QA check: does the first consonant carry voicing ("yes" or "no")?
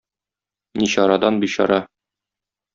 yes